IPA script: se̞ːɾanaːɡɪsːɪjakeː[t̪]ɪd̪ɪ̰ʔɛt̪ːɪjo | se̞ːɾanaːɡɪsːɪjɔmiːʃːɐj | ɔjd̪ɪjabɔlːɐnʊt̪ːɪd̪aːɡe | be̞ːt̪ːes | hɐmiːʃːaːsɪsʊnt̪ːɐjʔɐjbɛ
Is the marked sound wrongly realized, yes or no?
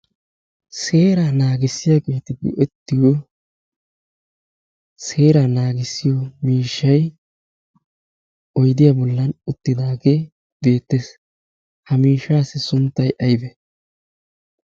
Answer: no